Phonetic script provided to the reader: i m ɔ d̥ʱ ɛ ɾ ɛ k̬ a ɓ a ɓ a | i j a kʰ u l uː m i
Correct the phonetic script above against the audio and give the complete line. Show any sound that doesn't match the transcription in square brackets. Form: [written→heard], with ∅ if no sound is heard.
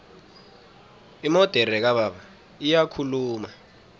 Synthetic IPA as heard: i m ɔ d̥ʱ ɛ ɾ ɛ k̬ a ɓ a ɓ a | i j a kʰ u l uː m [i→a]